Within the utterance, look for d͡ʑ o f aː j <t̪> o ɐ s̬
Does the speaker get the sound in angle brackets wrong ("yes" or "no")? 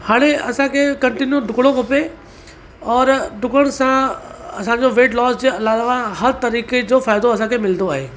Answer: yes